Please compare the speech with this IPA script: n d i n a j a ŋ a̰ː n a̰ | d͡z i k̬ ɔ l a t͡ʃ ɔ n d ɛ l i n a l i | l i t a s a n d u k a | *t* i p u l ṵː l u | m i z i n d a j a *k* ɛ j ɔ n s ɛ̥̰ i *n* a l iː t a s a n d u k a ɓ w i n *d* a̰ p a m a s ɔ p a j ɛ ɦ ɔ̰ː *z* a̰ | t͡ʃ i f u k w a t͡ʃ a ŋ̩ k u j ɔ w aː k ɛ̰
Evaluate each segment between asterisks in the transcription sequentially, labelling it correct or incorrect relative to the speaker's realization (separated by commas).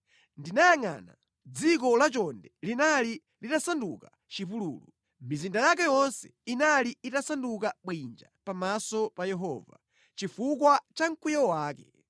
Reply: incorrect, correct, correct, incorrect, incorrect